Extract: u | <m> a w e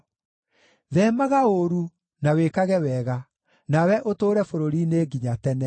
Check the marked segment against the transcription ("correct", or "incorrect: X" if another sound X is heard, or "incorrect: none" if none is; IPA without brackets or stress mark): incorrect: n